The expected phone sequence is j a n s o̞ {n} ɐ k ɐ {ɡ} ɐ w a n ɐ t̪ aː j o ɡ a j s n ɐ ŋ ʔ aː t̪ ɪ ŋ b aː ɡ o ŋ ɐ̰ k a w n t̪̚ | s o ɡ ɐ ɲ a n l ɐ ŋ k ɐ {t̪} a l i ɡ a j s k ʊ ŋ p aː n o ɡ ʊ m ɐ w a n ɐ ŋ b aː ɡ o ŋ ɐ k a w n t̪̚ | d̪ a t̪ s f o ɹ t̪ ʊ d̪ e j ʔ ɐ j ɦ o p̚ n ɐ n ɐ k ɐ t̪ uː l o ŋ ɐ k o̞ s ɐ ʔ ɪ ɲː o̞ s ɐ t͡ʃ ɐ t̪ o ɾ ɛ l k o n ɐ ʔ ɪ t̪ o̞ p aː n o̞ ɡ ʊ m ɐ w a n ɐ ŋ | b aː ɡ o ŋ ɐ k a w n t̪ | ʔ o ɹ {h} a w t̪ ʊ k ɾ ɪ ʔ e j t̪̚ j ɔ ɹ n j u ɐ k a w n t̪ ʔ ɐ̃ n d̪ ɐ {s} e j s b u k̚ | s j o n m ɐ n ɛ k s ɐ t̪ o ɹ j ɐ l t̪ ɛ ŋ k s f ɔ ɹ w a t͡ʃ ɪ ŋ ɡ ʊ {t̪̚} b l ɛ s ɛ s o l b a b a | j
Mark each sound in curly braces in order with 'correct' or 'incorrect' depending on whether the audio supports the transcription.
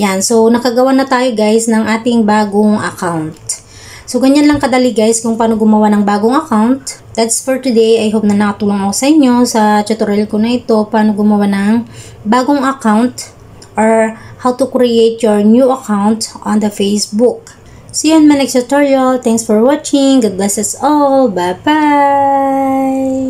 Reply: correct, correct, incorrect: d̪, correct, incorrect: f, incorrect: d̪̚

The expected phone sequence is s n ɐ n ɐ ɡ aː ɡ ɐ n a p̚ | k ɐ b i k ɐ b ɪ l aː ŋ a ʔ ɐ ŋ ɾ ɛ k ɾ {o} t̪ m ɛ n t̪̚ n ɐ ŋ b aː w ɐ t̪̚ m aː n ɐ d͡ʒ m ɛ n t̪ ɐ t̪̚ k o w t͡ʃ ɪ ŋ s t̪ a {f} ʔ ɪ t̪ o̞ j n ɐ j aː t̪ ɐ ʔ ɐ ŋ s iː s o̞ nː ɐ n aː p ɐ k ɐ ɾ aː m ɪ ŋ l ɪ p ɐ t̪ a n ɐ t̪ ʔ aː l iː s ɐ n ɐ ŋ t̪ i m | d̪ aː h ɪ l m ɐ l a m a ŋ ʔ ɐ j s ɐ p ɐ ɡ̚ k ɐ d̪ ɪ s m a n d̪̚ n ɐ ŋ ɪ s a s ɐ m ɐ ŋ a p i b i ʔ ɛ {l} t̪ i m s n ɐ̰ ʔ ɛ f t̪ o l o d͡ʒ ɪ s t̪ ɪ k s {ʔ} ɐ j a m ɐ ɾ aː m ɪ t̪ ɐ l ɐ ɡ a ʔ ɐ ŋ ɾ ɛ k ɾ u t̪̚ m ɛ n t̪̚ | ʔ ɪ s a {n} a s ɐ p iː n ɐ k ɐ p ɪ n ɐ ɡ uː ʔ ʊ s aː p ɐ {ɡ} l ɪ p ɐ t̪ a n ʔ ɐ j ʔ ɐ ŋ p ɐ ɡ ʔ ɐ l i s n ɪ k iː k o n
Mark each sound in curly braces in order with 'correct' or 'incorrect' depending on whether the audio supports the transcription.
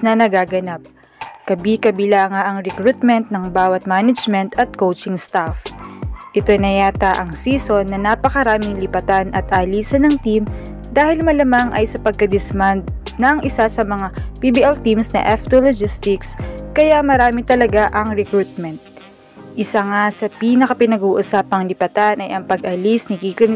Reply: incorrect: u, correct, correct, incorrect: k, incorrect: ŋ, incorrect: ŋ

